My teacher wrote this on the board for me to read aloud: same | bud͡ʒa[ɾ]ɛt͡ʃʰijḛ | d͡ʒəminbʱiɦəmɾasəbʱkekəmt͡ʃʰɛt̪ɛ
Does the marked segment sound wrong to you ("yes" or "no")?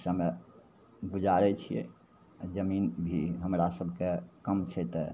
no